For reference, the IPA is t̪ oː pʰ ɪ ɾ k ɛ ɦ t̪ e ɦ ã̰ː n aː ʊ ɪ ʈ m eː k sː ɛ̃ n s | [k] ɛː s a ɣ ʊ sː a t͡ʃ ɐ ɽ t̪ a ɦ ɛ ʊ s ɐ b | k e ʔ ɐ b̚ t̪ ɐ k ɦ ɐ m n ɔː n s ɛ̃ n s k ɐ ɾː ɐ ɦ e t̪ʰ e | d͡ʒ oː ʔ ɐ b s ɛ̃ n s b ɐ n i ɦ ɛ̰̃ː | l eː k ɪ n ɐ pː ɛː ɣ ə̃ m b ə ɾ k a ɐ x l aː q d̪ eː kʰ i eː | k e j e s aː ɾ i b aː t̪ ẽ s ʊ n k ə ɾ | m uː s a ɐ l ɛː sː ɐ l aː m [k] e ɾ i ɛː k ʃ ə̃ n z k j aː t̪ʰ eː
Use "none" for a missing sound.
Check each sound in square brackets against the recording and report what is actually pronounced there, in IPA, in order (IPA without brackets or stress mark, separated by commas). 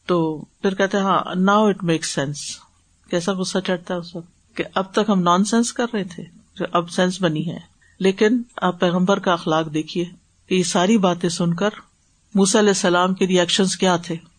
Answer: k, k